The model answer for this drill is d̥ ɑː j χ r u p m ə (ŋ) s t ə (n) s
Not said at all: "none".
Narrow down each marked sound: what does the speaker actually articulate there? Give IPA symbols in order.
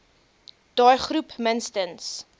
n, n

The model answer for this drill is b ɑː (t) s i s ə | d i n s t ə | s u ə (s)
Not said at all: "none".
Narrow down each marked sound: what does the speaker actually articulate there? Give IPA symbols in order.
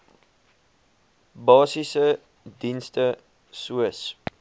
none, s

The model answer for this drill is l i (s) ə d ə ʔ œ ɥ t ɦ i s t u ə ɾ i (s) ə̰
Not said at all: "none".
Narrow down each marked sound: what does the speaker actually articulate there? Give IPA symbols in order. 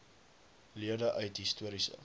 none, s

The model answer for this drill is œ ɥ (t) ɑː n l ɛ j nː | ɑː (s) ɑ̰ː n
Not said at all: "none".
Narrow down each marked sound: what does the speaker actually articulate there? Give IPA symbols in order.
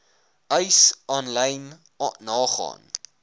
s, χ

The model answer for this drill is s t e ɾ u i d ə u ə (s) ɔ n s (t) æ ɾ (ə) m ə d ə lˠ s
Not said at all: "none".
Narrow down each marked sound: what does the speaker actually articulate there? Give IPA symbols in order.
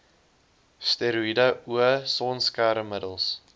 s, k, ə

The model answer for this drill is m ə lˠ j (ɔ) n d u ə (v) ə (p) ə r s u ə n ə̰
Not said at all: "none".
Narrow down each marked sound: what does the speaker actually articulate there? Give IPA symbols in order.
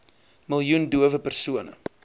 u, v, p

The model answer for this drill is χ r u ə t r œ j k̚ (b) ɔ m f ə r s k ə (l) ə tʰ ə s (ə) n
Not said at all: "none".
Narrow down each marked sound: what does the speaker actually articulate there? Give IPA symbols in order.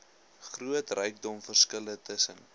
d, l, ə

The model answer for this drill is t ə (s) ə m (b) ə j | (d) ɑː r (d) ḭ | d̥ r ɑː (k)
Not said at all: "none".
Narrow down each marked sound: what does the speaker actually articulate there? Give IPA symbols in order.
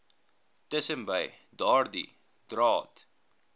s, b, d, d, t

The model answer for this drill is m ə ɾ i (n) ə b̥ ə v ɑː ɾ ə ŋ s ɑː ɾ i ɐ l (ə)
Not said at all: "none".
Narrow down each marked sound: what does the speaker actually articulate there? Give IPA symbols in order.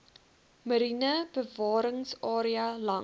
n, ɐ

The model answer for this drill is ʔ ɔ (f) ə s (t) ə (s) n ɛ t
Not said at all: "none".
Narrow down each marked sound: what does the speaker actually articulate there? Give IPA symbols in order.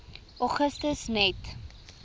χ, t, s

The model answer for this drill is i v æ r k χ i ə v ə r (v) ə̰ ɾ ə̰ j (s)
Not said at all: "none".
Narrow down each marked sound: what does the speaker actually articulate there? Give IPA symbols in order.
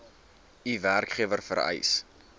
f, s

